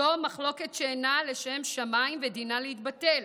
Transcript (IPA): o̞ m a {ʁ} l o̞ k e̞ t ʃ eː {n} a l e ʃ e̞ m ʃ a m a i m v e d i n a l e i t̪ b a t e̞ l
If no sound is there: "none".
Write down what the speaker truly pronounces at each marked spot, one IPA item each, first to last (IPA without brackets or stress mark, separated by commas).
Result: χ, n